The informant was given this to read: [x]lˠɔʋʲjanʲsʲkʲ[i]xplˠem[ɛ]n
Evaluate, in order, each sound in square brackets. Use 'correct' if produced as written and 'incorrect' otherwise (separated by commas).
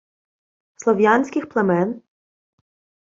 incorrect, incorrect, correct